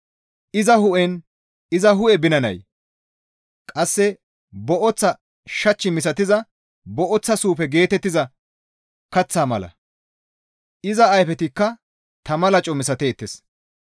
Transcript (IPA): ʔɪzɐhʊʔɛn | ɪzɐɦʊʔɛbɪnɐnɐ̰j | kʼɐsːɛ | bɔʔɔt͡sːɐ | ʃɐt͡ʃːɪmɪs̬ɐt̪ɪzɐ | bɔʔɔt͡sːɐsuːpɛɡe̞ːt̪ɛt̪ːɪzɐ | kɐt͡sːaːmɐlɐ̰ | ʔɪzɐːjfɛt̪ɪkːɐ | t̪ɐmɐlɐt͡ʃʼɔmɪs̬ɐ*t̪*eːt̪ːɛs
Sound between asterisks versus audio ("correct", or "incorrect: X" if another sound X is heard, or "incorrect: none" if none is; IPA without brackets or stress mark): correct